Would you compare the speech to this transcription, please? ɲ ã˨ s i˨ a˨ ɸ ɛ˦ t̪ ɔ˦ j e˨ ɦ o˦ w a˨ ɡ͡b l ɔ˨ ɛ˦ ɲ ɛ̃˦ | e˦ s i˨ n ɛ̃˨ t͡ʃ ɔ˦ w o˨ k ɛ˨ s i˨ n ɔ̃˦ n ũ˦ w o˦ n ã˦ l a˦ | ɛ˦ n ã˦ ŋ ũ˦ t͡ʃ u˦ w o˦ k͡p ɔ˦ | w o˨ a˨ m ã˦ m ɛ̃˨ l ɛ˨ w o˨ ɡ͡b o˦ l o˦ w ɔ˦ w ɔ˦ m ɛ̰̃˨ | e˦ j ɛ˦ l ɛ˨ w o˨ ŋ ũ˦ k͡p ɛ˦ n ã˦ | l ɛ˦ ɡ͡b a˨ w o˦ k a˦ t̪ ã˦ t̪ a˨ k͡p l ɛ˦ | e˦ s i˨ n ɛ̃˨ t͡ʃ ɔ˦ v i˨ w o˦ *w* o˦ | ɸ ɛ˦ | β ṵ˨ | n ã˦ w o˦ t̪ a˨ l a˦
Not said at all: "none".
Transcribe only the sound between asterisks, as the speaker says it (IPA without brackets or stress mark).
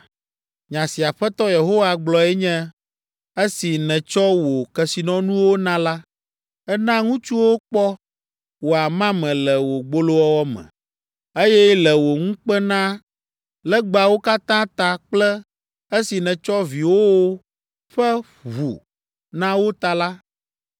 w